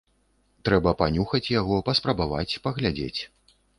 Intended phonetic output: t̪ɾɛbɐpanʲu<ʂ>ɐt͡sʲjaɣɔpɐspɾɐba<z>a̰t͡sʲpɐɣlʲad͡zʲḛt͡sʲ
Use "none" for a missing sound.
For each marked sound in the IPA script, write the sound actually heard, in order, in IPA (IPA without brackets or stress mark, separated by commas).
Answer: x, v